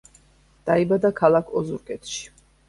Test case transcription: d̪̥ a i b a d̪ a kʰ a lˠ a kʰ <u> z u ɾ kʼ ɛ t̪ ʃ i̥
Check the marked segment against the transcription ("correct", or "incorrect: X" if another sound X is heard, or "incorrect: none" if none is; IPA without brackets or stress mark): incorrect: ɔ